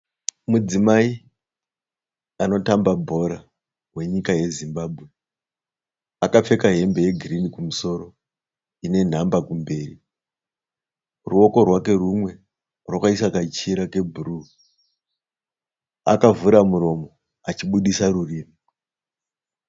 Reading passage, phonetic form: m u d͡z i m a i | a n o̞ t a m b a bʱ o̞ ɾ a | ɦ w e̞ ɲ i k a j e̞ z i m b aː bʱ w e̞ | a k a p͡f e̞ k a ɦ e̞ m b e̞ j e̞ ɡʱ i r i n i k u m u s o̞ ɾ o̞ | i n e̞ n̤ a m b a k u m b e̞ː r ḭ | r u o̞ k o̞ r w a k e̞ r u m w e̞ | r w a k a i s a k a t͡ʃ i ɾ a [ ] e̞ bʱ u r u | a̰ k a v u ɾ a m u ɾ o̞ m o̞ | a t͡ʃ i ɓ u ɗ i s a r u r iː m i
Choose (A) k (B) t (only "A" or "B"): A